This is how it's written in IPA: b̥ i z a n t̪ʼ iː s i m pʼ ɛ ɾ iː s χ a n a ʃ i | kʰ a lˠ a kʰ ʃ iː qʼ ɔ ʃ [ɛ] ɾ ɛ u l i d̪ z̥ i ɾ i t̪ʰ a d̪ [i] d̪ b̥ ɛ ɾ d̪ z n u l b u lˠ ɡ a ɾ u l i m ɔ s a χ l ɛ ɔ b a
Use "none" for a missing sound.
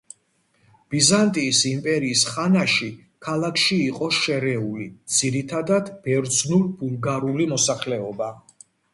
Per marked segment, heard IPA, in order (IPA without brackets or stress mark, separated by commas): ɛ, a